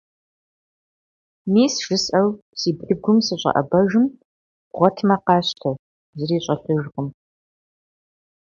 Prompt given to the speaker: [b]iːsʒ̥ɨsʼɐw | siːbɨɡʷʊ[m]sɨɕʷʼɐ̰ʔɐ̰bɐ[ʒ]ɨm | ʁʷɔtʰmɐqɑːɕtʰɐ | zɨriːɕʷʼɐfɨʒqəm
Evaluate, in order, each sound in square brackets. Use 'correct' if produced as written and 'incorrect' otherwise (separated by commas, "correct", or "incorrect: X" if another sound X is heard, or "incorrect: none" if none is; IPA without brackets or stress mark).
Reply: incorrect: m, correct, correct